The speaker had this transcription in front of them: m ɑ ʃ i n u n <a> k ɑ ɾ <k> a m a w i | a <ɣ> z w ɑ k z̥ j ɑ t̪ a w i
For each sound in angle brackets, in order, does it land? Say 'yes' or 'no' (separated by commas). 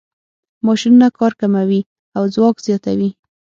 yes, yes, no